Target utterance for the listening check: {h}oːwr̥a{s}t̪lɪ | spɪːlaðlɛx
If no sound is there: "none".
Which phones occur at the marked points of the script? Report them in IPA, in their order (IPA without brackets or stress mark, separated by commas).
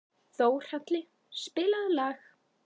θ, none